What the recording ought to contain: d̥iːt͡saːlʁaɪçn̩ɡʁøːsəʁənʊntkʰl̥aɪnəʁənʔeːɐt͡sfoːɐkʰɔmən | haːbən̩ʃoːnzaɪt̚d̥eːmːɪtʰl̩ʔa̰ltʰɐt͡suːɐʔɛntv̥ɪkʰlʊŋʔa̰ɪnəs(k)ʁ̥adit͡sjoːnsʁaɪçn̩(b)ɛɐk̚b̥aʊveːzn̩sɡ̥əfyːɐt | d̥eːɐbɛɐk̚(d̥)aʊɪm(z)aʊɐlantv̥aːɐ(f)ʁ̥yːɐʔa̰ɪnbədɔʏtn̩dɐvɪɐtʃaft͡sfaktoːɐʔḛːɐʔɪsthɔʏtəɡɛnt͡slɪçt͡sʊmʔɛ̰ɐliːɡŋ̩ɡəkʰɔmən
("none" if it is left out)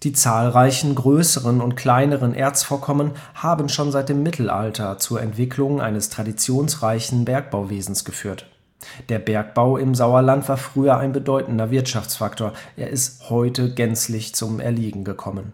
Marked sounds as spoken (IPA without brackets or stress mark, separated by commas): t, b, b̥, z, f